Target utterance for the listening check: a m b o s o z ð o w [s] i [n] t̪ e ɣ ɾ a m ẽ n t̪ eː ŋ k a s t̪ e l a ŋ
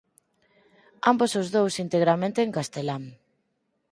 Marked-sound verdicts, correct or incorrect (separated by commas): correct, correct